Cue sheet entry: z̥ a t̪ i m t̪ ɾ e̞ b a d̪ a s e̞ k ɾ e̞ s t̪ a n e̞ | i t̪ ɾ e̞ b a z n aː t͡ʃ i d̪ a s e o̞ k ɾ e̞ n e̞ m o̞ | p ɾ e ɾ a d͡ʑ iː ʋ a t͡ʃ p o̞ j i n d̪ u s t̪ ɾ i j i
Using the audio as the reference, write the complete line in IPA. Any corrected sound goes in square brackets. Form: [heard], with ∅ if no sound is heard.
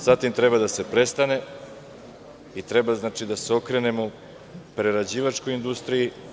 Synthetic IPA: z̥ a t̪ i m t̪ ɾ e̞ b a d̪ a s e̞ [p] ɾ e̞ s t̪ a n e̞ | i t̪ ɾ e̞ b a z n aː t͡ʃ i d̪ a s e o̞ k ɾ e̞ n e̞ m o̞ | p ɾ e ɾ a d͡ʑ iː ʋ a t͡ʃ [k] o̞ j i n d̪ u s t̪ ɾ i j i